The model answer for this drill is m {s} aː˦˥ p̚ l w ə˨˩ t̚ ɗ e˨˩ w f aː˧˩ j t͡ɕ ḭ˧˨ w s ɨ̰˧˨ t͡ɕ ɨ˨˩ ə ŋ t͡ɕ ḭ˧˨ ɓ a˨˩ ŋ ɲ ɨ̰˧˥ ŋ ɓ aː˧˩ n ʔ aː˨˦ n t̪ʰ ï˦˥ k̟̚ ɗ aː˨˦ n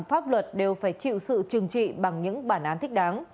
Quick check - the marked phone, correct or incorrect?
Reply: incorrect